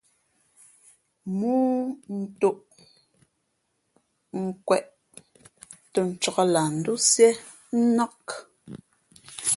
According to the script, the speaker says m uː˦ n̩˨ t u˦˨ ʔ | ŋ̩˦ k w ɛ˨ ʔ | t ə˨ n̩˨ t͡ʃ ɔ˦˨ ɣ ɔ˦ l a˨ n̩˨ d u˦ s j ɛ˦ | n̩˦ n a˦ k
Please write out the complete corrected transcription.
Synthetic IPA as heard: m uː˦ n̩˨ t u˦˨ ʔ | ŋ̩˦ k w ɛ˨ ʔ | t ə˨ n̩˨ t͡ʃ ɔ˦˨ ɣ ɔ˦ l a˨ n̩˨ d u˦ s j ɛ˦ | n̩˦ n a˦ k

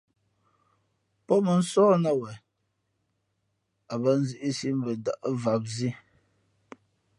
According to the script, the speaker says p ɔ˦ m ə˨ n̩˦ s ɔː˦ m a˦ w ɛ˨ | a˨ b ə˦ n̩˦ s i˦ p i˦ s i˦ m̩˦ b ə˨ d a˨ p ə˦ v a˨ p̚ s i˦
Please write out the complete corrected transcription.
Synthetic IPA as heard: p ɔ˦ m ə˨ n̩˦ s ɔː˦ n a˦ w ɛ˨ | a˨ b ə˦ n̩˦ z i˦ ʔ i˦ s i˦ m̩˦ b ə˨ d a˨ ʔ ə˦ v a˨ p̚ z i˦

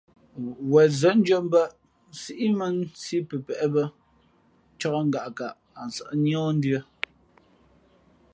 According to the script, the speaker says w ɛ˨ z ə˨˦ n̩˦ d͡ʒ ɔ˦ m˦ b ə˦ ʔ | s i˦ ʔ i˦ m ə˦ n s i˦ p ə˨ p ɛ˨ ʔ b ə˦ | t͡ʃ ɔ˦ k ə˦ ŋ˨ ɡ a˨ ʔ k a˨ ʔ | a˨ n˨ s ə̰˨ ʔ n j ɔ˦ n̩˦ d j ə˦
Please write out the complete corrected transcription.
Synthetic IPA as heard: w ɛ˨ z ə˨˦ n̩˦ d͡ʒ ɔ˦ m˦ b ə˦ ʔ | s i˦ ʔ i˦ m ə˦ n s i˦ p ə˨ p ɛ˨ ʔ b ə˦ | t͡ʃ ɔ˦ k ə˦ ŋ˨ ɡ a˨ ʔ k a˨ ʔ | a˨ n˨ s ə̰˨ ʔ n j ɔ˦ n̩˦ d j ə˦

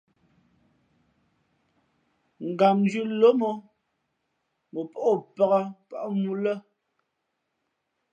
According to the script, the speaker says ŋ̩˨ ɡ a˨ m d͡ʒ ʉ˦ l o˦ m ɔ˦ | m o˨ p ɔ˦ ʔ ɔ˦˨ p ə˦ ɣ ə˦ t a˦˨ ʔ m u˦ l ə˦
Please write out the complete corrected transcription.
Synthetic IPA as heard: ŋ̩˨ ɡ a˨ m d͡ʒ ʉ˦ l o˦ m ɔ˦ | m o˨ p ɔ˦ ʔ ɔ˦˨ p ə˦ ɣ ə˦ p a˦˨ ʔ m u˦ l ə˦

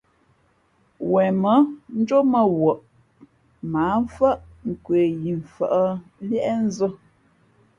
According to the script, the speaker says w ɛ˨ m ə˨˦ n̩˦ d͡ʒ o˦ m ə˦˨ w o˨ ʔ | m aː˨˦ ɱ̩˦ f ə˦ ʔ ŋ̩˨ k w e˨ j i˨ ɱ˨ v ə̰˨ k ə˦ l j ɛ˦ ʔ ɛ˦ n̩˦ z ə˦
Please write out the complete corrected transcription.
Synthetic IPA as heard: w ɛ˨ m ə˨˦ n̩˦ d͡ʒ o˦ m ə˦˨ w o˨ ʔ | m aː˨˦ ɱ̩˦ f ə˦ ʔ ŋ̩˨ k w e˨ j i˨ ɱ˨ f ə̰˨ ʔ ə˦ l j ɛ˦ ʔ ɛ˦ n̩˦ z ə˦

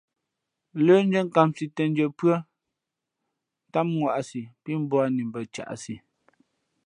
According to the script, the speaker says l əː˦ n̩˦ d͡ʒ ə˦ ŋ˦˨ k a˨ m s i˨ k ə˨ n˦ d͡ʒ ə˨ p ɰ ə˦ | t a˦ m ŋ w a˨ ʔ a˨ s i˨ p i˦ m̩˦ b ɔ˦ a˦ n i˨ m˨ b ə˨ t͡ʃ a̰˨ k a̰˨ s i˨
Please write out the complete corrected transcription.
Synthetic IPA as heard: l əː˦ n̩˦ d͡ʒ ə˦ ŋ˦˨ k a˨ m s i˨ t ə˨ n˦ d͡ʒ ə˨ p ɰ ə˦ | t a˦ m ŋ w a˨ ʔ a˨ s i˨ p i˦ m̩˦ b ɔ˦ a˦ n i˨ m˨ b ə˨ t͡ʃ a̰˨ ʔ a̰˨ s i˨

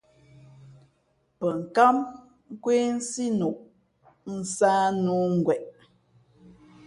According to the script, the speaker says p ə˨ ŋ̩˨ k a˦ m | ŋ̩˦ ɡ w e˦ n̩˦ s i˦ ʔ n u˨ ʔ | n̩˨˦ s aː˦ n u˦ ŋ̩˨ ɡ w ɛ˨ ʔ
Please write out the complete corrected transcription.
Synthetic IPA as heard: p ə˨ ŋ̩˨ k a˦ m | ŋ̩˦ k w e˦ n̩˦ s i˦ n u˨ ʔ | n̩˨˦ s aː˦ n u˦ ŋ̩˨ ɡ w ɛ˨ ʔ

